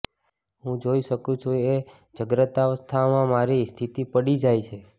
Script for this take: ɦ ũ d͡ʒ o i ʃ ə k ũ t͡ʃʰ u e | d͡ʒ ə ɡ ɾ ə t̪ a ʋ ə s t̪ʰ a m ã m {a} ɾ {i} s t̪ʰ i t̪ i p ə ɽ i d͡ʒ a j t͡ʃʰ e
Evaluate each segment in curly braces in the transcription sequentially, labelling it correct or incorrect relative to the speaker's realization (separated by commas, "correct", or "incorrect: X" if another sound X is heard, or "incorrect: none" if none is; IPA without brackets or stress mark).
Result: correct, correct